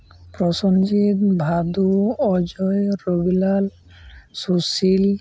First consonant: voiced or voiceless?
voiceless